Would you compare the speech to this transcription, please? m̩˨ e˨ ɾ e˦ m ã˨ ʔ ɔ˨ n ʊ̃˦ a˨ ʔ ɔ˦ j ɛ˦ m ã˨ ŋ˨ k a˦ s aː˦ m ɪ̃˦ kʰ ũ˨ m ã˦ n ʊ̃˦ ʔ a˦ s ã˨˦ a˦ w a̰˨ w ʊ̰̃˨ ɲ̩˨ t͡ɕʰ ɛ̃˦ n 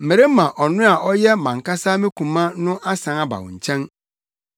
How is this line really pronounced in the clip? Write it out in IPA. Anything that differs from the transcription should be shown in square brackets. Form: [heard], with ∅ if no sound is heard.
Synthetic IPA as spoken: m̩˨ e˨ ɾ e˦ m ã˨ ʔ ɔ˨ n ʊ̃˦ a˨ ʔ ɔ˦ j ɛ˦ m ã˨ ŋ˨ k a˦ s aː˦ m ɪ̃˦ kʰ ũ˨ m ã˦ n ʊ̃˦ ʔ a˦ s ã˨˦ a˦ [b] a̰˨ w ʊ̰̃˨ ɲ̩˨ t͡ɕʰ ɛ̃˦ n